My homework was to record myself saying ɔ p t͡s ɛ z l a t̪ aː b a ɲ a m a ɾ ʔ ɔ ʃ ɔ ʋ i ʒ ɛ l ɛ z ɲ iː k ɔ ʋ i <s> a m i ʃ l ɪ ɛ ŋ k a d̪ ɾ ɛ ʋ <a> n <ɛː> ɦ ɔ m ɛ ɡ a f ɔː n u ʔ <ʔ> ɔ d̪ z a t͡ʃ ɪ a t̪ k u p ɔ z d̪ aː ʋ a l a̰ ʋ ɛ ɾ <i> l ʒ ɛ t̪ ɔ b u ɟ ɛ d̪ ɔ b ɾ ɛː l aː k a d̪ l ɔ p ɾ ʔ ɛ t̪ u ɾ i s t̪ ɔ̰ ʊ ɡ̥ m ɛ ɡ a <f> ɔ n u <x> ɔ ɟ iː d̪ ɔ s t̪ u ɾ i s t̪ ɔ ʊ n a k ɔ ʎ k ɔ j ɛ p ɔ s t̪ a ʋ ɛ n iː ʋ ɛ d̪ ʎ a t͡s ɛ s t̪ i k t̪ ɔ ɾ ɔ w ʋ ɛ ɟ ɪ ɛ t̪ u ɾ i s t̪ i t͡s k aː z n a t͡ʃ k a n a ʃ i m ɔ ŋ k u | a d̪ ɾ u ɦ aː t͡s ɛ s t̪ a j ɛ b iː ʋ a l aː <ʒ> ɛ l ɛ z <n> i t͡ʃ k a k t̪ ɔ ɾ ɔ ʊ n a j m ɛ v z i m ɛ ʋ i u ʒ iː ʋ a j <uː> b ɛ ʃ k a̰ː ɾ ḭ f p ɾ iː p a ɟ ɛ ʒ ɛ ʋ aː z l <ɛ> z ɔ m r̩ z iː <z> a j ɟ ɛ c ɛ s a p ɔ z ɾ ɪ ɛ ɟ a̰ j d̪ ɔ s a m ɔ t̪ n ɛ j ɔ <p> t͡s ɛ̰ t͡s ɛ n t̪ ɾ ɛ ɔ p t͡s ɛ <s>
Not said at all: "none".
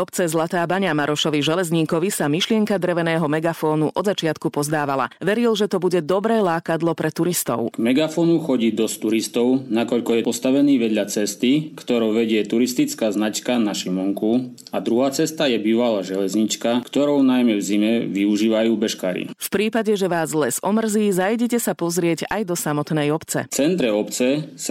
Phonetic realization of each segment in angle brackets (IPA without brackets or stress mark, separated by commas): s, ɛ, ɛː, ʔ, i, f, x, ʒ, ɲ, uː, ɛ, z, p, s